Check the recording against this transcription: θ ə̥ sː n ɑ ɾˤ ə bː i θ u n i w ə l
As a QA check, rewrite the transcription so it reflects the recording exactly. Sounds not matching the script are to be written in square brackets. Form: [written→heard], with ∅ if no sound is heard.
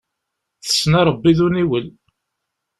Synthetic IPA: θ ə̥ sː n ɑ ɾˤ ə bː i [θ→ð] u n i w ə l